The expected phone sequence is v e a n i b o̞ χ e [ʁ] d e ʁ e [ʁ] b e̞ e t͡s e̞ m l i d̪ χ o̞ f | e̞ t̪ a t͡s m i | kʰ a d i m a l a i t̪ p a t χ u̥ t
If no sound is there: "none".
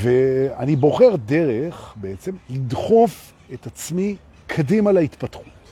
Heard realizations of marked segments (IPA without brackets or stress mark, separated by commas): ʁ, χ